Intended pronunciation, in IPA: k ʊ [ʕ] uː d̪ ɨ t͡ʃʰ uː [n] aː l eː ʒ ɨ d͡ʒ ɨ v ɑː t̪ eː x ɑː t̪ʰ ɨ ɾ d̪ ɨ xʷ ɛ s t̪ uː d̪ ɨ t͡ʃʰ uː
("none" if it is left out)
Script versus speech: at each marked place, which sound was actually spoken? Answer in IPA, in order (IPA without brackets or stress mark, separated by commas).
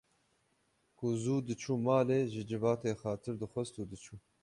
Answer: z, m